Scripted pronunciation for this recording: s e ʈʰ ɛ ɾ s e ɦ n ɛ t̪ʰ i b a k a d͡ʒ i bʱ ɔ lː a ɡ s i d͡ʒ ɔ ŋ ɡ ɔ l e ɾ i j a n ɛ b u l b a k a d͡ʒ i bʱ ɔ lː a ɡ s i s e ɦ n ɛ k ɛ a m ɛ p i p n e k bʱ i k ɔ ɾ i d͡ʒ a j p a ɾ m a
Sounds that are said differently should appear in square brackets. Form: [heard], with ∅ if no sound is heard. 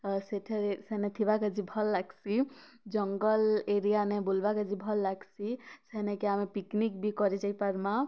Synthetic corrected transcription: s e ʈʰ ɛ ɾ s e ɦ n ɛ t̪ʰ i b a k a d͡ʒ i bʱ ɔ lː a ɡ s i d͡ʒ ɔ ŋ ɡ ɔ l e ɾ i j a n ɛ b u l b a k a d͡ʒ i bʱ ɔ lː a ɡ s i s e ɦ n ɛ k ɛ a m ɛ p i [k] n [i] k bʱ i k ɔ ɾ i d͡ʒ a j p a ɾ m a